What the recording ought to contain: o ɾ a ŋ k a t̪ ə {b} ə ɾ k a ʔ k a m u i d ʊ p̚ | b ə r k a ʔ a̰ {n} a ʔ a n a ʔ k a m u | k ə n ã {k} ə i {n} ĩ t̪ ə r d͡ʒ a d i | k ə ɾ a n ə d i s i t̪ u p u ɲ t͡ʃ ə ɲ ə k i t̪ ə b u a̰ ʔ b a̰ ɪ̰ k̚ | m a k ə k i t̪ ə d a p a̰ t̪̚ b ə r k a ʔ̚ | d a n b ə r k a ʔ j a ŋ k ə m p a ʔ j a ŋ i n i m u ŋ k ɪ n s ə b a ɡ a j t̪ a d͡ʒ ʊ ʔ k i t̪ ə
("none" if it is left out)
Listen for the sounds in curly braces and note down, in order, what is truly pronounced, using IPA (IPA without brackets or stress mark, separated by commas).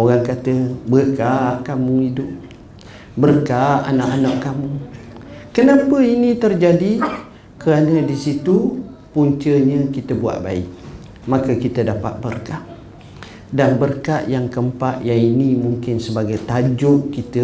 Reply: b, n, p, n